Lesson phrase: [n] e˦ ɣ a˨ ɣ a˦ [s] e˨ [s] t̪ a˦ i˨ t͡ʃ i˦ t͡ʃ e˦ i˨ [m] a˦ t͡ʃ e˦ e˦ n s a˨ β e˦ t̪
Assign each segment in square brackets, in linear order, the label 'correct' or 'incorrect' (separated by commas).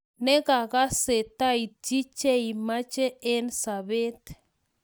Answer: correct, correct, incorrect, correct